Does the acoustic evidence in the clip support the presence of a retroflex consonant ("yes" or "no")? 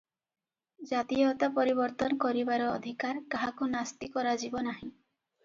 no